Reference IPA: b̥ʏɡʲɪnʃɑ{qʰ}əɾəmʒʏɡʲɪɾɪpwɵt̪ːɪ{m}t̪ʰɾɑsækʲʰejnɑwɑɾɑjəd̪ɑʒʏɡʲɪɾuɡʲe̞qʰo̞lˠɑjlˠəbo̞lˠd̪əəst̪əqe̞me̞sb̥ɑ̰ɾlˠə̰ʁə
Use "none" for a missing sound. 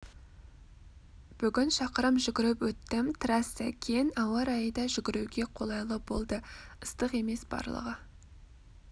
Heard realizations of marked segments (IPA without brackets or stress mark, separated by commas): q, m